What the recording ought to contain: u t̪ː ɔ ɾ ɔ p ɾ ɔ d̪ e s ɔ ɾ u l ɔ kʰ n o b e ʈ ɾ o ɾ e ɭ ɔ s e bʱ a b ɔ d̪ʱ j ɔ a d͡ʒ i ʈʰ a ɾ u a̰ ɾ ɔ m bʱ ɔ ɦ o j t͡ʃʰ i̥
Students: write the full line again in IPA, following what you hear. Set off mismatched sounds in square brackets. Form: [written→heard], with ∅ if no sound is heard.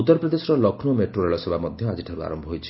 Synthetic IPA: u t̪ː ɔ ɾ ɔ p ɾ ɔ d̪ e s ɔ ɾ [u→ɔ] l ɔ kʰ n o [b→m] e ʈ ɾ o ɾ e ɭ ɔ s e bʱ a [b→m] ɔ d̪ʱ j ɔ a d͡ʒ i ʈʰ a ɾ u a̰ ɾ ɔ m bʱ ɔ ɦ o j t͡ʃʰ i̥